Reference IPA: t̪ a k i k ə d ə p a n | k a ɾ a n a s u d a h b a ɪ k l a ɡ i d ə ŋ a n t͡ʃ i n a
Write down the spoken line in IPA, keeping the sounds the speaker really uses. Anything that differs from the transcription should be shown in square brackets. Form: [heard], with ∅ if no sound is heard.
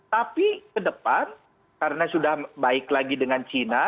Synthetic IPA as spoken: t̪ a [p] i k ə d ə p a n | k a ɾ [ə] n a s u d a h b a ɪ k l a ɡ i d ə ŋ a n t͡ʃ i n a